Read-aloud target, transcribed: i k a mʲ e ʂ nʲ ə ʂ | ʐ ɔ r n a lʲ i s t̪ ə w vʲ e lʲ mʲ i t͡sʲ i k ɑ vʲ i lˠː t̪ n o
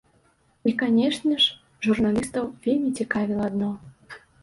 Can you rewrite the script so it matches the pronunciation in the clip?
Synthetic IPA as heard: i k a nʲ e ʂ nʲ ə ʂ | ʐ u r n a lʲ i s t̪ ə w vʲ e lʲ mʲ i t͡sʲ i k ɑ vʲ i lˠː d̪ n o